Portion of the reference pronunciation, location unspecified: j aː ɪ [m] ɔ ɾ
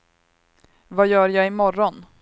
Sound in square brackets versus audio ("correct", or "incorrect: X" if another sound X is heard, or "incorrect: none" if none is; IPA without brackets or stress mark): correct